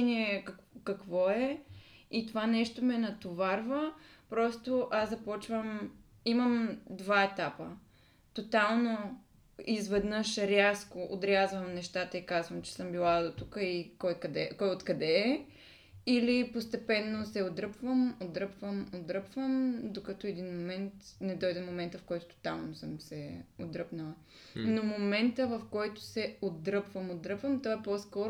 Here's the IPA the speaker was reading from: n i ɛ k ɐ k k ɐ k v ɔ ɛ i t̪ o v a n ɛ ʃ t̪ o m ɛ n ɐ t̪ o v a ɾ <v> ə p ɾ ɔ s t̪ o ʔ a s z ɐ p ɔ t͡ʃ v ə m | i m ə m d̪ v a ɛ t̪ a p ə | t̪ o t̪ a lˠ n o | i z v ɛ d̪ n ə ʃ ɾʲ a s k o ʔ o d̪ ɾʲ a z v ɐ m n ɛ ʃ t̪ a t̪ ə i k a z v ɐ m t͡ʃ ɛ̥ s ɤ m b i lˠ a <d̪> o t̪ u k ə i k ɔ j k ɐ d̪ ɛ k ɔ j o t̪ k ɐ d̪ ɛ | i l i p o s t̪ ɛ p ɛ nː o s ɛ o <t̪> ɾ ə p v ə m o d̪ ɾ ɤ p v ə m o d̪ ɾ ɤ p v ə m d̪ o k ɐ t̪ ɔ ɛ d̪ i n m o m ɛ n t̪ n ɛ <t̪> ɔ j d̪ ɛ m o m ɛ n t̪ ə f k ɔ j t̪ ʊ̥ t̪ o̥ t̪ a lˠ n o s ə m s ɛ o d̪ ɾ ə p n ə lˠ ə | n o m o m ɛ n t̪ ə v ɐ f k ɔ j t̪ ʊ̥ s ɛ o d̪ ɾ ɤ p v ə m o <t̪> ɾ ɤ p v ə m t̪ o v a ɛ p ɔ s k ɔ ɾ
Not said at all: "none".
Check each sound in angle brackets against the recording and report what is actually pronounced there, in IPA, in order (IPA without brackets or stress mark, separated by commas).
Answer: v, d̪, d̪, d̪, d̪